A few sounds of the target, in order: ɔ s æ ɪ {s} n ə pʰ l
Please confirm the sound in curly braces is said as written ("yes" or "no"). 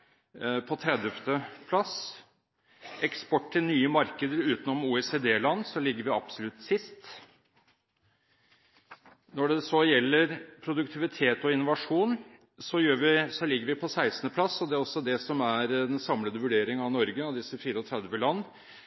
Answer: yes